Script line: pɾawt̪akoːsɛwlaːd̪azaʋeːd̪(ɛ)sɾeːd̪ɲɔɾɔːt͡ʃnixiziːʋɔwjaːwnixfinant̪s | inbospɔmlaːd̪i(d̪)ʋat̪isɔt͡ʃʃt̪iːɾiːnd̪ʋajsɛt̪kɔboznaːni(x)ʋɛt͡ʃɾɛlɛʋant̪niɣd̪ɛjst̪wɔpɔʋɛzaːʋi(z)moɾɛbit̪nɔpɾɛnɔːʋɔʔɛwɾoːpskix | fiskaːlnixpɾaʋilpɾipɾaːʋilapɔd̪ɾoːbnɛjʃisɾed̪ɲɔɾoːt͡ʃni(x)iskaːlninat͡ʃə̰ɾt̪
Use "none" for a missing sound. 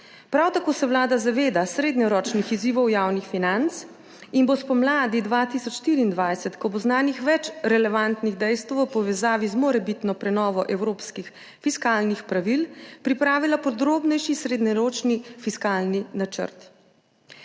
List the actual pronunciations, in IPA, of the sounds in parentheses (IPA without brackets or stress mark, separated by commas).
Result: a, d̪, x, z, f